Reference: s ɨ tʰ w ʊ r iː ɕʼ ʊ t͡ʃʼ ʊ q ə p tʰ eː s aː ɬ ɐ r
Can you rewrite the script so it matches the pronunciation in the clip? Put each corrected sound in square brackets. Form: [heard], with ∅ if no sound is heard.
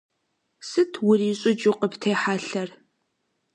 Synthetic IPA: s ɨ tʰ w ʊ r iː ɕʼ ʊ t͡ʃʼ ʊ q ə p tʰ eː [ħ] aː ɬ ɐ r

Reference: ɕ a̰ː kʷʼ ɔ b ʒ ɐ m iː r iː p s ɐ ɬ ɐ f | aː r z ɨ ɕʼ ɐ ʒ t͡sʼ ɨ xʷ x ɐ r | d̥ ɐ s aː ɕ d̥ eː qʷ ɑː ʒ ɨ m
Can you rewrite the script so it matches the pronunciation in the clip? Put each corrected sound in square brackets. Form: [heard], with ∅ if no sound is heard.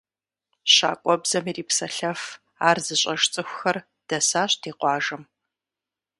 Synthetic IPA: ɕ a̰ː kʷʼ ɔ b [z] ɐ m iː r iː p s ɐ ɬ ɐ f | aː r z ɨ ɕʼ ɐ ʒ t͡sʼ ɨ xʷ x ɐ r | d̥ ɐ s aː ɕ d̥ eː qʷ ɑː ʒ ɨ m

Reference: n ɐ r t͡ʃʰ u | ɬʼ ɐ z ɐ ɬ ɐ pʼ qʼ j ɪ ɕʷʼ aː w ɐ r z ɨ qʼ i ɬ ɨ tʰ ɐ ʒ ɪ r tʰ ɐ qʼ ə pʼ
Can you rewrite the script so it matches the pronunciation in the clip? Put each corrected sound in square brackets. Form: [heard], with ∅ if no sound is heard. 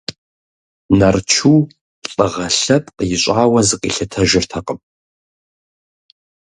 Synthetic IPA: n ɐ r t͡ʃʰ u | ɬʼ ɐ [ʁ] ɐ ɬ ɐ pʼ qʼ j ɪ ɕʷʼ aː w ɐ [∅] z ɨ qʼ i ɬ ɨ tʰ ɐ ʒ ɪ r tʰ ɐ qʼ ə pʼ

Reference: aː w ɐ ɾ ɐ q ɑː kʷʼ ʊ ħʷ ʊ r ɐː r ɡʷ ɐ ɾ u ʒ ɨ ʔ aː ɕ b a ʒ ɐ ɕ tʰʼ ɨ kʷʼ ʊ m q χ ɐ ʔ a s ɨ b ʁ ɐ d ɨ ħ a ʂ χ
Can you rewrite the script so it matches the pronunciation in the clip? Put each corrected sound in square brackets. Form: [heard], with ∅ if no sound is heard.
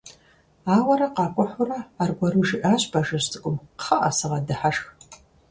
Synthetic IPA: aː w ɐ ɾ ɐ q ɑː kʷʼ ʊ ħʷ ʊ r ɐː r ɡʷ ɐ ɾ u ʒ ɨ ʔ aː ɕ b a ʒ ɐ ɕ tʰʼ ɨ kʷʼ ʊ m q χ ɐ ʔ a s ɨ [∅] ʁ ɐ d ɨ ħ a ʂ [x]

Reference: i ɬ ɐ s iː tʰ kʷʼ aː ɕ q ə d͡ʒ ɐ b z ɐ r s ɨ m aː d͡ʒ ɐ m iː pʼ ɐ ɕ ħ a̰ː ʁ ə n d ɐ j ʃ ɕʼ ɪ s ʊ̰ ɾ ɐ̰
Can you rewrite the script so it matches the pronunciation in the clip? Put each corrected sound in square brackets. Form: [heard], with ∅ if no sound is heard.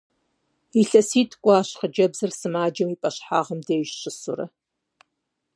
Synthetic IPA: i ɬ ɐ s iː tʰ kʷʼ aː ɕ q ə d͡ʒ ɐ b z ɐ r s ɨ m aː d͡ʒ ɐ m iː pʼ ɐ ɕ ħ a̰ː ʁ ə [m] d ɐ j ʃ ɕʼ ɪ s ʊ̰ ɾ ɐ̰

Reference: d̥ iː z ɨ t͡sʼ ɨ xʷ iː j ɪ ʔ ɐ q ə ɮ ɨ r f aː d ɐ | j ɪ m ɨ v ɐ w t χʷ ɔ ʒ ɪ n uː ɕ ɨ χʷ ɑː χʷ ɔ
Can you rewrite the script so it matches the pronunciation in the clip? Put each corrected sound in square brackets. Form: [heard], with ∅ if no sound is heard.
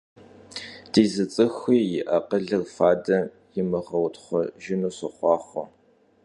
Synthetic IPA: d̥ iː z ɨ t͡sʼ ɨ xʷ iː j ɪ ʔ ɐ q ə ɮ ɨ r f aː d ɐ | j ɪ m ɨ [ʁ] ɐ w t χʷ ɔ ʒ ɪ n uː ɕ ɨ χʷ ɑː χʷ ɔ

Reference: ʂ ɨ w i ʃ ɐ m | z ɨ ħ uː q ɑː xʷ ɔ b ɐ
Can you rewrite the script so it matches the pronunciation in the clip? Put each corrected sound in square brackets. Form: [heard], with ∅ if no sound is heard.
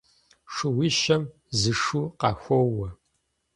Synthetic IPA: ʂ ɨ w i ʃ ɐ m | z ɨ [ʂ] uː q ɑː xʷ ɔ [w] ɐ

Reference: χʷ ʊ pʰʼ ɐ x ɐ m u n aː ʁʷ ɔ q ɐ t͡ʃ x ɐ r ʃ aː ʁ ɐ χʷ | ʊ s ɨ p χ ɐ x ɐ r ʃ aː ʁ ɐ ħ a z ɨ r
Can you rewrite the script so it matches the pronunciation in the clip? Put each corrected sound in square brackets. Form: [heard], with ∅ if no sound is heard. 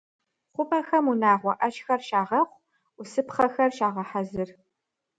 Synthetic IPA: χʷ ʊ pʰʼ ɐ x ɐ m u n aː ʁʷ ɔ [ʔ] ɐ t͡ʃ x ɐ r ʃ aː ʁ ɐ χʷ | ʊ s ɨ p χ ɐ x ɐ r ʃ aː ʁ ɐ ħ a z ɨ r

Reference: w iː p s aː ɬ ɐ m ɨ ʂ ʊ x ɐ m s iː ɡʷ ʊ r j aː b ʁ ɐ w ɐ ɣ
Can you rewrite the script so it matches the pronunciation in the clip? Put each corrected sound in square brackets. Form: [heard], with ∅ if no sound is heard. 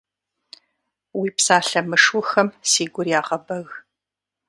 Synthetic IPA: w iː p s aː ɬ ɐ m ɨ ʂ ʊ x ɐ m s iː ɡʷ ʊ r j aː [∅] ʁ ɐ [b] ɐ ɣ

